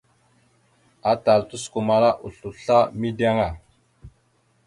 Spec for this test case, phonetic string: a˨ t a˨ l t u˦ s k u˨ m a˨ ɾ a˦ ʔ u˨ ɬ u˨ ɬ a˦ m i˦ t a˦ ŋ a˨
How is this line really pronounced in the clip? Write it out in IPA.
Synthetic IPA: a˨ t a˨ l t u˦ s k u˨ m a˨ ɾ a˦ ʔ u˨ ɬ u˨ ɬ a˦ m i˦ d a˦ ŋ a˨